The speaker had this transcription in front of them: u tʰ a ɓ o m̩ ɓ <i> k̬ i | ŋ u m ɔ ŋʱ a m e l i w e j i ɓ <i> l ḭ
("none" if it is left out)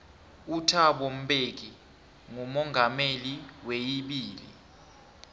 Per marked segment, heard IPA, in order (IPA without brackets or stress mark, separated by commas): e, iː